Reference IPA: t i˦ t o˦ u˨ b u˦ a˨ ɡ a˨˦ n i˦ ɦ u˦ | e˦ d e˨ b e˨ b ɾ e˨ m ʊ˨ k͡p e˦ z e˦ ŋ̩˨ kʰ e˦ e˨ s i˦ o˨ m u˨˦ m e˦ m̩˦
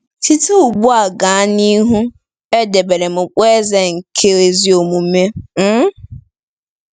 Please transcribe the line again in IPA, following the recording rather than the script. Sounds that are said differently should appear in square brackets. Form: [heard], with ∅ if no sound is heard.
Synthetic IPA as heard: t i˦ t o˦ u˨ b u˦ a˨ ɡ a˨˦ n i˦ ɦ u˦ | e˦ d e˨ b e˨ [∅] ɾ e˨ m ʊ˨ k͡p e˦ z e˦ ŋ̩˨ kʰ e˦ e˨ [z] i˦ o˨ m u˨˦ m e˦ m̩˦